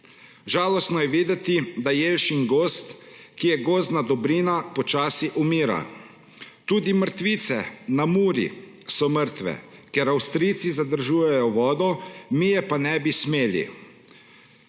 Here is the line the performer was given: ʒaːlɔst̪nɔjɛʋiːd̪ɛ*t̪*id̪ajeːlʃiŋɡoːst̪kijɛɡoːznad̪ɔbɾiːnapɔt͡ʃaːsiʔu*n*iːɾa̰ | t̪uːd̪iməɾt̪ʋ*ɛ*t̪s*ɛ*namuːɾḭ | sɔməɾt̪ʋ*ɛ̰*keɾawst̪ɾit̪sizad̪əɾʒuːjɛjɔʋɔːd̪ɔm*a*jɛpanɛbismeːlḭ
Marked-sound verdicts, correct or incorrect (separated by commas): correct, incorrect, incorrect, correct, correct, incorrect